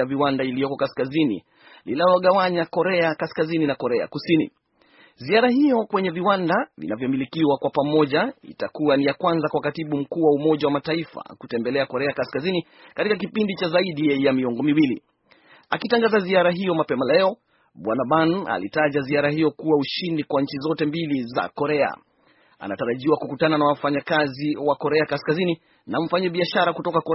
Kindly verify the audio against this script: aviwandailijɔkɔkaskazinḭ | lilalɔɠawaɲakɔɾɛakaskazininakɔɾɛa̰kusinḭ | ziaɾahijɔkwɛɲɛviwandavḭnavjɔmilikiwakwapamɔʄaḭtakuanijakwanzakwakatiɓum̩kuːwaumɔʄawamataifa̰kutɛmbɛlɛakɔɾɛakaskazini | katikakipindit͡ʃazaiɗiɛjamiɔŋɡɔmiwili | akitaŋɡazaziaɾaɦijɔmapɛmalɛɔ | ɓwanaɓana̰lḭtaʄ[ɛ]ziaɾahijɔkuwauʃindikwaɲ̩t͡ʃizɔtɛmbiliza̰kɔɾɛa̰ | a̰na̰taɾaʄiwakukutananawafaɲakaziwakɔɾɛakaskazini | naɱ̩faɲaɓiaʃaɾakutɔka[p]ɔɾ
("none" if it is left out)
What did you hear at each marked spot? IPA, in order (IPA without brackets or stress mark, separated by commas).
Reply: a, k